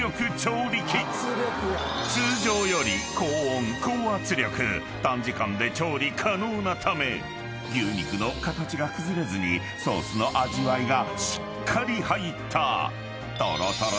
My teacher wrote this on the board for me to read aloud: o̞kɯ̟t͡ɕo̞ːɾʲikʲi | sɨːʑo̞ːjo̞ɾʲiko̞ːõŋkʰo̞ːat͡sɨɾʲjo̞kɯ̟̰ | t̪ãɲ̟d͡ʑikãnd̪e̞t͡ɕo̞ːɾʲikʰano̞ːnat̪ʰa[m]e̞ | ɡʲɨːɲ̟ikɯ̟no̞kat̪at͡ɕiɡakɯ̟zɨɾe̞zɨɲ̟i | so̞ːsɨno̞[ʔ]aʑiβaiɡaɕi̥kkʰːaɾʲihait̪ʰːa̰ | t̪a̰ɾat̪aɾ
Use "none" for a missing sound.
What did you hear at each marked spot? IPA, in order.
m, ʔ

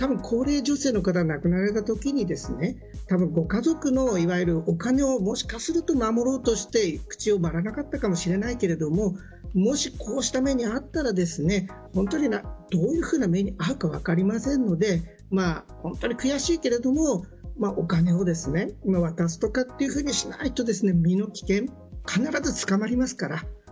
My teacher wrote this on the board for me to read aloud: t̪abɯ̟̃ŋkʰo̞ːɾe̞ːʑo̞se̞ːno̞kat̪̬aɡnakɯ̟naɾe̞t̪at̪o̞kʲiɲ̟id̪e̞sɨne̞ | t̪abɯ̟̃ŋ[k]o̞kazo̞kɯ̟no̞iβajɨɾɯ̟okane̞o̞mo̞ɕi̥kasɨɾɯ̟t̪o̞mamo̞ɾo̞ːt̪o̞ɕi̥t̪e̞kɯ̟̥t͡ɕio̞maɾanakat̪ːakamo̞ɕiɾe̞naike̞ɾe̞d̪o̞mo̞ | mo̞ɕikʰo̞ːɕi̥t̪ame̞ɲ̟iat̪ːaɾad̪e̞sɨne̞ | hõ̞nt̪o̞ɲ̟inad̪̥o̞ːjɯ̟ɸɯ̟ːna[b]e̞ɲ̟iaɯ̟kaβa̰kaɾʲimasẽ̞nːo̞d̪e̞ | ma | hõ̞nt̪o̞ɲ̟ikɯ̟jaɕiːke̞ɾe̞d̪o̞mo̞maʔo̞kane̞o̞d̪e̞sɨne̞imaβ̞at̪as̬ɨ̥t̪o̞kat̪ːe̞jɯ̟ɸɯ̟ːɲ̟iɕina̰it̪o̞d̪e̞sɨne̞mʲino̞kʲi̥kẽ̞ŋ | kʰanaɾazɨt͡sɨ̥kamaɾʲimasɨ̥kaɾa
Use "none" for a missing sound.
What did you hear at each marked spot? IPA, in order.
ɡ, m

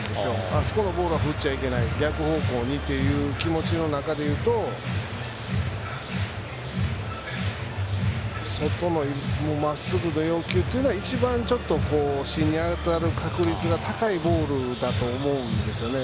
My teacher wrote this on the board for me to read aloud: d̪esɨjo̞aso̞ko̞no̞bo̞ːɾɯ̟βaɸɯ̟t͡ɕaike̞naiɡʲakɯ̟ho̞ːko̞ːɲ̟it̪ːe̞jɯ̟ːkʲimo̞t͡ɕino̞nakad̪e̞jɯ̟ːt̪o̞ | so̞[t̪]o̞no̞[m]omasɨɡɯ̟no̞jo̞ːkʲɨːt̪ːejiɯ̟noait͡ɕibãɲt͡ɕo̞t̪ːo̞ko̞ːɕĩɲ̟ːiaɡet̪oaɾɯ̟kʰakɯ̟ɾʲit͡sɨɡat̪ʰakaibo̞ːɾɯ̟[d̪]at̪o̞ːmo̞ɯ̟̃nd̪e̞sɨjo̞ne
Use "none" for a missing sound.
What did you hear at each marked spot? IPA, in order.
t̪, m, d̪

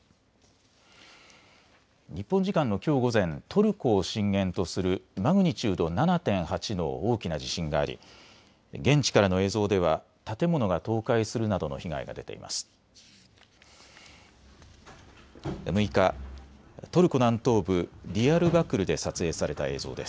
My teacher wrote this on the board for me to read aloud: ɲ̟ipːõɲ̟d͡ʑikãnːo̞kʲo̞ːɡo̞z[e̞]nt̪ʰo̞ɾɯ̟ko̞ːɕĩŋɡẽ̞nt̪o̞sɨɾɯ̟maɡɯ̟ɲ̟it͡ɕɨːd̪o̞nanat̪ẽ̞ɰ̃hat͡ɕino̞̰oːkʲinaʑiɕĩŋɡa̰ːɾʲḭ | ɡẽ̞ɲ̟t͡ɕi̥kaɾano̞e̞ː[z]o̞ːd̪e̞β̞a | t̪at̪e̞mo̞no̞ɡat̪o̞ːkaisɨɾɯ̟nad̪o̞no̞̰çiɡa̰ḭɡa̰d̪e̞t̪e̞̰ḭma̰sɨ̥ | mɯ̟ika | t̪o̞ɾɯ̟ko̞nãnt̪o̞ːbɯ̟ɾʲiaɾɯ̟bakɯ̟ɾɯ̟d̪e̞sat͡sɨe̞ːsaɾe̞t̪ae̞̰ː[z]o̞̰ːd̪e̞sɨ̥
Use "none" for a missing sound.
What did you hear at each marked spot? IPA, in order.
ẽ̞, z, z

